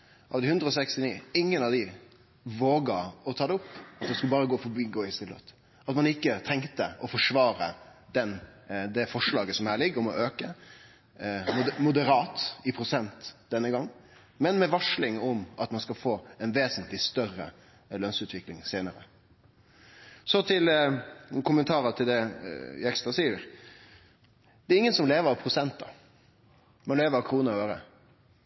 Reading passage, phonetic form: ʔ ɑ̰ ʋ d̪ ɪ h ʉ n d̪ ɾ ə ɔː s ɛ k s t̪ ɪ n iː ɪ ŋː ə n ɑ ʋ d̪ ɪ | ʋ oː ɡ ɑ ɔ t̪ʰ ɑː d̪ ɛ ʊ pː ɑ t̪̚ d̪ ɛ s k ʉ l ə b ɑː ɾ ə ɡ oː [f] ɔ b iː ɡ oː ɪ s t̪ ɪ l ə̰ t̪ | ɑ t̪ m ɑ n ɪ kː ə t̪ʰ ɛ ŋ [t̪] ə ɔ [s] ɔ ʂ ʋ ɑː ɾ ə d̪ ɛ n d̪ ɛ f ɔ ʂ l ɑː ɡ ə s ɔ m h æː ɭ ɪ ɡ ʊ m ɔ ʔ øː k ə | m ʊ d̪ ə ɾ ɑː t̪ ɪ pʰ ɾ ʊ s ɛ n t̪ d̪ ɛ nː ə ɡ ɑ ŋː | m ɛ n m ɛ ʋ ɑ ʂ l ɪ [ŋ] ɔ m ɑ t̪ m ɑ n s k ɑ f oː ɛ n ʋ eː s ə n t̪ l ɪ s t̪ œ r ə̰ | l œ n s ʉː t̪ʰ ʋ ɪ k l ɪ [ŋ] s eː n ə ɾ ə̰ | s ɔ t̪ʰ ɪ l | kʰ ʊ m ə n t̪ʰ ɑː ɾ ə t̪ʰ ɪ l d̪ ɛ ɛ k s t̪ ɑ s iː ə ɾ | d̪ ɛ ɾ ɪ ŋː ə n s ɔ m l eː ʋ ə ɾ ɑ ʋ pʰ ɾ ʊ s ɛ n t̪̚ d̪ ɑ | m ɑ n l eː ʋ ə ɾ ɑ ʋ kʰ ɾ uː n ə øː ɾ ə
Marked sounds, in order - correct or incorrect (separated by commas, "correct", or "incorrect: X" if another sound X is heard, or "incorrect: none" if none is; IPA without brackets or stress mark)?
correct, correct, incorrect: f, correct, correct